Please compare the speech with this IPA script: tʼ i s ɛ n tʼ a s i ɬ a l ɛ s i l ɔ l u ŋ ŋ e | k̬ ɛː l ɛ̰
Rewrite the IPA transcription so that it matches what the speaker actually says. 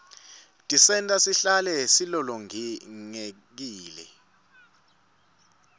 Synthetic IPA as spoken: tʼ i s ɛ n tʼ a s i ɬ a l ɛ s i l ɔ l ɔ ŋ ŋ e | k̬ iː l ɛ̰